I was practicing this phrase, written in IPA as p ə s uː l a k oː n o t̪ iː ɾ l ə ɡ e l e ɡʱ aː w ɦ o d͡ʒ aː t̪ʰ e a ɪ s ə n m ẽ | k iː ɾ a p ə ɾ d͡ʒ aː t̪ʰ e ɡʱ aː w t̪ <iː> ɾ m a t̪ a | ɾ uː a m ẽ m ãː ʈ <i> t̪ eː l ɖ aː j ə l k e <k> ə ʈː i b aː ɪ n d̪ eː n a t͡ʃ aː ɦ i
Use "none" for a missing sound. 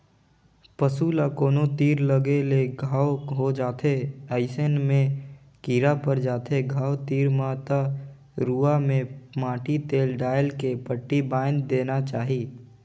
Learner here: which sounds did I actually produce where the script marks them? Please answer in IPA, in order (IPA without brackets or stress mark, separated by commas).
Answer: iː, i, p